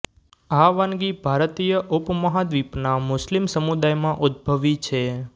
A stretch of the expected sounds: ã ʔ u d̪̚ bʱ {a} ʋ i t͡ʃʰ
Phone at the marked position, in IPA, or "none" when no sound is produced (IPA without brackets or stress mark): ə